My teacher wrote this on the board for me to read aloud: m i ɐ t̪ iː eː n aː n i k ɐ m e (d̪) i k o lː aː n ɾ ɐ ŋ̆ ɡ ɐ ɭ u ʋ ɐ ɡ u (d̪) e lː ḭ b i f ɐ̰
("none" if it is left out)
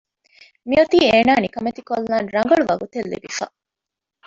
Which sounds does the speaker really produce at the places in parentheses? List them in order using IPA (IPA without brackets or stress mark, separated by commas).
t̪, t̪